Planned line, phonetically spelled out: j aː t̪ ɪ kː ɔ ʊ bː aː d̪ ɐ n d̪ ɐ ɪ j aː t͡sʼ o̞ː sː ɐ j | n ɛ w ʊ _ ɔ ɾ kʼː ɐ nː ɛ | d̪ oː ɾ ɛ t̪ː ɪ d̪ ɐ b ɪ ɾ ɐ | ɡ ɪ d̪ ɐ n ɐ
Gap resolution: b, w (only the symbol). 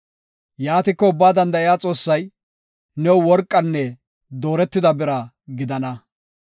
w